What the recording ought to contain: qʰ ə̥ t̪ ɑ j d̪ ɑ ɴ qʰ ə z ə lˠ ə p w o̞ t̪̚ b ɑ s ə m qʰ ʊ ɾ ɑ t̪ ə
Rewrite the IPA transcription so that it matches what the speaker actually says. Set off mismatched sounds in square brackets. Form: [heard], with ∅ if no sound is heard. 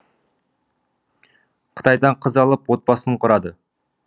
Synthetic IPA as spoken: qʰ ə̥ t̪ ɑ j d̪ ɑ ɴ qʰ ə z [ɑ] lˠ ə p w o̞ t̪̚ b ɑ s ə [ɴ] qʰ ʊ ɾ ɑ [d̪] ə

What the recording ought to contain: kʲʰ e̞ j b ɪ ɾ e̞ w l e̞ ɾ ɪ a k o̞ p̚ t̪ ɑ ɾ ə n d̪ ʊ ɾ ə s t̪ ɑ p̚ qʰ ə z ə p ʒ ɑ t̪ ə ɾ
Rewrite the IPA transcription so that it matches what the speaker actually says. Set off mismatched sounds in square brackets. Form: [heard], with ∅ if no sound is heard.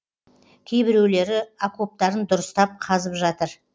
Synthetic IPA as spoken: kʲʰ e̞ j b ɪ ɾ e̞ w l e̞ ɾ ɪ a k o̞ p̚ t̪ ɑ ɾ ə n d̪ ʊ ɾ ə s t̪ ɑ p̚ qʰ [ɑ] z ə p ʒ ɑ t̪ ə ɾ

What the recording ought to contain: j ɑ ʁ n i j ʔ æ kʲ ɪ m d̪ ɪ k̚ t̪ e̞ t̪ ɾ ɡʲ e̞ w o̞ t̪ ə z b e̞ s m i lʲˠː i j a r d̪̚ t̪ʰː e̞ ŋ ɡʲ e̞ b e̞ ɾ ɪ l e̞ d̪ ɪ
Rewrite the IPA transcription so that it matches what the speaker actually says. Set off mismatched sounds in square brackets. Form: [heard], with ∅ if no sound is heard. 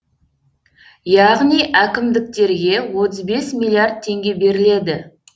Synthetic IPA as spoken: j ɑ ʁ n i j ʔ æ kʲ ɪ m d̪ ɪ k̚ t̪ e̞ [∅] ɾ ɡʲ e̞ w o̞ t̪ ə z b e̞ s m i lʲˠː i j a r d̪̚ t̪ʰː e̞ ŋ ɡʲ e̞ b e̞ ɾ ɪ l e̞ d̪ ɪ

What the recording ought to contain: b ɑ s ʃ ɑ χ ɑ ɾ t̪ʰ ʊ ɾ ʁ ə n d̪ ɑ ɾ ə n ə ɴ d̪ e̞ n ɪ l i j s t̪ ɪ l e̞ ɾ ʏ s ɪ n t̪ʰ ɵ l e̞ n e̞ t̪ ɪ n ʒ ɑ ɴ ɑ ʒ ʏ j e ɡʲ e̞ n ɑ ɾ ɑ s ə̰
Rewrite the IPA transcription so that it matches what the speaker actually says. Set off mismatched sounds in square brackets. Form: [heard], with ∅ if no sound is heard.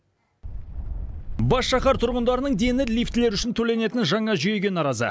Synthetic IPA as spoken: b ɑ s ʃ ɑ χ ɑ ɾ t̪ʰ ʊ ɾ ʁ ə n d̪ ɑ ɾ ə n ə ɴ d̪ e̞ n ɪ l i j [f] t̪ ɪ l e̞ ɾ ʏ [ʃ] ɪ n t̪ʰ ɵ l e̞ n e̞ t̪ ɪ n ʒ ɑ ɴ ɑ ʒ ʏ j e ɡʲ e̞ n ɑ ɾ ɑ [z] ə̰

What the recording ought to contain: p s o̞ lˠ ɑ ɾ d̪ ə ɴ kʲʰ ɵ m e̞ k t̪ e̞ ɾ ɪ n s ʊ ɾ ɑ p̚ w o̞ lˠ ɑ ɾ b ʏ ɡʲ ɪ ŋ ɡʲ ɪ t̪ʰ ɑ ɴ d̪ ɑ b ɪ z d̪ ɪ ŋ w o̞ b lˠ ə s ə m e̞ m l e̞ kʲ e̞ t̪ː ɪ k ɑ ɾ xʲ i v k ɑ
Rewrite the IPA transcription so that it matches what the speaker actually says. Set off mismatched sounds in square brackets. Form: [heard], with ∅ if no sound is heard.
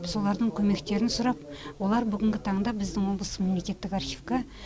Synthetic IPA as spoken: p s o̞ lˠ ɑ ɾ d̪ ə ɴ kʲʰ ɵ m e̞ k t̪ e̞ ɾ ɪ n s ʊ ɾ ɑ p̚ w o̞ lˠ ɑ ɾ b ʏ ɡʲ ɪ ŋ ɡʲ ɪ t̪ʰ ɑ ɴ d̪ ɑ b ɪ z d̪ ɪ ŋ w o̞ b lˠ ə s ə m e̞ m l e̞ kʲ e̞ t̪ː ɪ k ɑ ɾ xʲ i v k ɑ

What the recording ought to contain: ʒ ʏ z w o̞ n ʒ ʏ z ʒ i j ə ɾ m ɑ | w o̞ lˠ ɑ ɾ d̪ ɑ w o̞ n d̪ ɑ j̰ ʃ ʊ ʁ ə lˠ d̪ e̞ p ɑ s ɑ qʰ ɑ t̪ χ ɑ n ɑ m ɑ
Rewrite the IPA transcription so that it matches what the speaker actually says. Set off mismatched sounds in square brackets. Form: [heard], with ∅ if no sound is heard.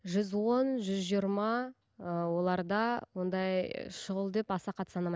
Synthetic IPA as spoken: ʒ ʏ z w o̞ n ʒ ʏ z ʒ i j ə ɾ m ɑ | w o̞ lˠ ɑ ɾ d̪ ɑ w o̞ n d̪ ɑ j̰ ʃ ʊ ʁ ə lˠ d̪ e̞ p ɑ s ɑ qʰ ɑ t̪ [s] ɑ n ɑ m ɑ

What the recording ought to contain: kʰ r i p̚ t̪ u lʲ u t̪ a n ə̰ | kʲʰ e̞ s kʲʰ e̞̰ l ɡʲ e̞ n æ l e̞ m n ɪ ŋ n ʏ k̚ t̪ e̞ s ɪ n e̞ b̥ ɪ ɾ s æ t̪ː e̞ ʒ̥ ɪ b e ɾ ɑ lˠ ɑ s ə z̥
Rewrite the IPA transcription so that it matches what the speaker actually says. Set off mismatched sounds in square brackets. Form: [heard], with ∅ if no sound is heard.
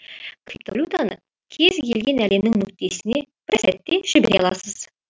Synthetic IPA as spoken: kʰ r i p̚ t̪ [o] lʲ u t̪ a n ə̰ | kʲʰ e̞ [z] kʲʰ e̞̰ l ɡʲ e̞ n æ l e̞ m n ɪ ŋ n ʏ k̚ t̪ e̞ s ɪ n e̞ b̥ ɪ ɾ s æ t̪ː e̞ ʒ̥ ɪ b e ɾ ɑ lˠ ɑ s ə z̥

